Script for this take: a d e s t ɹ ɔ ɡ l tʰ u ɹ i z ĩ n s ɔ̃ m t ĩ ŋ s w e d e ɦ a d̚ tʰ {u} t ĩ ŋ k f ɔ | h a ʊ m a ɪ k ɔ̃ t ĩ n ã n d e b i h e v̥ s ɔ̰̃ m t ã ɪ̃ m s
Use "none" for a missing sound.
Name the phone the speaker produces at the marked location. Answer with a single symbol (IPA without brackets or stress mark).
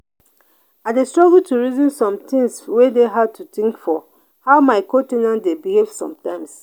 u